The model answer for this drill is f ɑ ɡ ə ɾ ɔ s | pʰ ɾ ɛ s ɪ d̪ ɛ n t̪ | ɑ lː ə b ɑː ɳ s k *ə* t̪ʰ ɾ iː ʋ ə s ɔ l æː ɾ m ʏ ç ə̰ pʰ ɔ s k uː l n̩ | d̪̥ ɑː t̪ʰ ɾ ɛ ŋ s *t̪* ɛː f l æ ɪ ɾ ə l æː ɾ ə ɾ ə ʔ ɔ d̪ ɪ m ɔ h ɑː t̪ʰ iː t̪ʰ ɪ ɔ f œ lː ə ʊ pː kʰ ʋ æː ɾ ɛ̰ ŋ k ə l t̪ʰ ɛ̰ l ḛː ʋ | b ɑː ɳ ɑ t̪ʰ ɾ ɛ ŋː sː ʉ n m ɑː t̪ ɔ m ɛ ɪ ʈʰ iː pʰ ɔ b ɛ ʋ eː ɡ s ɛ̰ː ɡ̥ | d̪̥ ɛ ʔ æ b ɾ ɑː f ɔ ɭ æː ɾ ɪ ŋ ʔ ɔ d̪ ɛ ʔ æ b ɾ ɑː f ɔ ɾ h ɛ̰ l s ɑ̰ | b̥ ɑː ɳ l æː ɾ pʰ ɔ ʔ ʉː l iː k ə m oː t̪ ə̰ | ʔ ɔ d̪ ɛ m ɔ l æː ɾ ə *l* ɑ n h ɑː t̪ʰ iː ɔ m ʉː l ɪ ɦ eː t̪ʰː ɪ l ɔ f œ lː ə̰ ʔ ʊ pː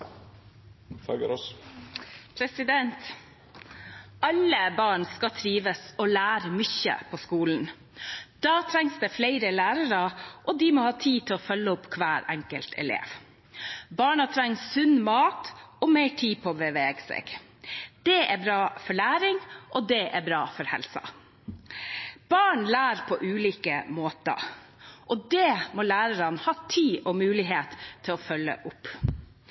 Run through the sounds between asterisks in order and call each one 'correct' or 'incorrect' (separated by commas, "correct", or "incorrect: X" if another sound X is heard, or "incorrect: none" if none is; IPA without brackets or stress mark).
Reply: incorrect: ɑ, incorrect: d̪, incorrect: ɾ